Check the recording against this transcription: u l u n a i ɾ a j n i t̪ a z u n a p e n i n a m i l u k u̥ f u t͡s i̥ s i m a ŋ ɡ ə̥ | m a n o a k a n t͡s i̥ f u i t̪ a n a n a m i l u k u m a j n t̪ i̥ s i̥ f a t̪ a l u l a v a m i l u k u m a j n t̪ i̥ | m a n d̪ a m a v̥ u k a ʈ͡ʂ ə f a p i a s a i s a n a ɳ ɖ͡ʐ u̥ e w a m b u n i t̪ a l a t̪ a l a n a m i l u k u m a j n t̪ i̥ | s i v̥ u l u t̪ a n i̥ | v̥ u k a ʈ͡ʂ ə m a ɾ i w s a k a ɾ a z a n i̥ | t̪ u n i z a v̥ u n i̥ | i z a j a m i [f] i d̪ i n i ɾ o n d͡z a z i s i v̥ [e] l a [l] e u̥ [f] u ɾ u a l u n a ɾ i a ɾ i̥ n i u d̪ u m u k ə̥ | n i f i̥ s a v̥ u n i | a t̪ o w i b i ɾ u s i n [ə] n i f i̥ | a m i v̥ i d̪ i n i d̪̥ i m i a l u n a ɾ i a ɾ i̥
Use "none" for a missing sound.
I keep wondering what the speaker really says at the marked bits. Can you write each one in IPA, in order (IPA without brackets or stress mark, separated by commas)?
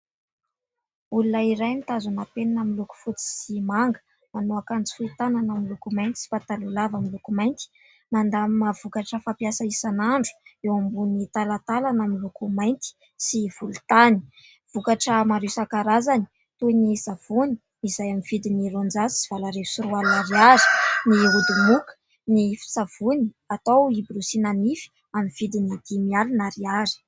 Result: v, a, ɾ, s, a